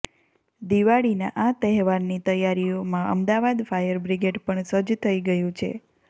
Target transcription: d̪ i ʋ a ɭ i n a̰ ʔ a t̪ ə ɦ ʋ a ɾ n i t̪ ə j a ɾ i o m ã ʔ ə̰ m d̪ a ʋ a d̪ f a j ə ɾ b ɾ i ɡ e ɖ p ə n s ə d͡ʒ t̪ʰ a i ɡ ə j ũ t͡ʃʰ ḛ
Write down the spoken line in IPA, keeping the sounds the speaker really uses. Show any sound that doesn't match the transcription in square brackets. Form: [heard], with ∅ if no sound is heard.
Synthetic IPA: d̪ i ʋ a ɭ i n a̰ ʔ a t̪ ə ɦ ʋ a ɾ n i t̪ ə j a ɾ i o m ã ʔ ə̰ m d̪ a ʋ a d̪ f a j ə ɾ b ɾ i ɡ e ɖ p ə [ɳ] s ə d͡ʒ t̪ʰ [ə] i ɡ ə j ũ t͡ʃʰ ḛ